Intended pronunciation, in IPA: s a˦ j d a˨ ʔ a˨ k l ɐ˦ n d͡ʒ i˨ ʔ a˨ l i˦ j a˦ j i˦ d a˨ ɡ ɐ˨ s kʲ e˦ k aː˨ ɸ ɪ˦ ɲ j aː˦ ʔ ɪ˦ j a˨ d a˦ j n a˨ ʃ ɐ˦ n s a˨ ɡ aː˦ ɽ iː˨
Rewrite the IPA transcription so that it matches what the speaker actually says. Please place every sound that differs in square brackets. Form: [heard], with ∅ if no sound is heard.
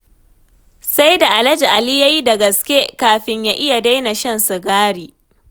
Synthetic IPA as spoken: s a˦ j d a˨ ʔ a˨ [∅] l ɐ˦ [∅] d͡ʒ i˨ ʔ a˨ l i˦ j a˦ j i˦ d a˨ ɡ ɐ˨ s kʲ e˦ k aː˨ ɸ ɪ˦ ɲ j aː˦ ʔ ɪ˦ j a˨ d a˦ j n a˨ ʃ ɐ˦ n s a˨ ɡ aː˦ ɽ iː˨